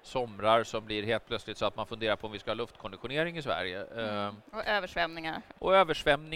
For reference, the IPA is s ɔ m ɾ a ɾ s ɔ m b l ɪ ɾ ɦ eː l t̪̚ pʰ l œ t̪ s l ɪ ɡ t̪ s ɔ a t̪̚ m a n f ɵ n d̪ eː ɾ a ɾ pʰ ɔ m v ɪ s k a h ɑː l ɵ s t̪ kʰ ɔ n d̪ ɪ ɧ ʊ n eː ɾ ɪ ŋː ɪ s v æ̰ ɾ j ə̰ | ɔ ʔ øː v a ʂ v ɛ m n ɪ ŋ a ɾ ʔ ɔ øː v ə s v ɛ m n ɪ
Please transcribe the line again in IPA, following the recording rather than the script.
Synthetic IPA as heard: s ɔ m ɾ a ɾ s ɔ m b l ɪ ɾ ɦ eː l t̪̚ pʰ l œ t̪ s l ɪ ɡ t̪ s ɔ a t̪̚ m a n f ɵ n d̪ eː ɾ a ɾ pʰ ɔ m v ɪ s k a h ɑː l ɵ f t̪ kʰ ɔ n d̪ ɪ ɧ ʊ n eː ɾ ɪ ŋ ɪ s v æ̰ ɾ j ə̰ | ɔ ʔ øː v ə ʂ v ɛ m n ɪ ŋ a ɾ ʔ ɔ øː v ə ʂ v ɛ m n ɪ